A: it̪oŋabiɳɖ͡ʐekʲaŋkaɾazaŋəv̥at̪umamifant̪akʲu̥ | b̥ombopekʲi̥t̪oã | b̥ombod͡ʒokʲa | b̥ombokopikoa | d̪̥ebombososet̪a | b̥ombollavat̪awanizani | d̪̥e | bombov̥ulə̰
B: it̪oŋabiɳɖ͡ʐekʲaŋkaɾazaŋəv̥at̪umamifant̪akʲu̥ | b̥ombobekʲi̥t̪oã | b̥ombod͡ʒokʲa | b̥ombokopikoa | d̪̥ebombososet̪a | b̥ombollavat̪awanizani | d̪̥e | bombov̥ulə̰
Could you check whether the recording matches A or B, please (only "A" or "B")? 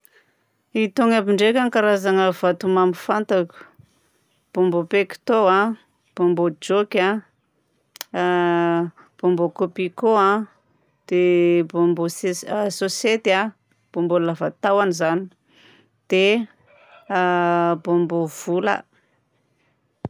A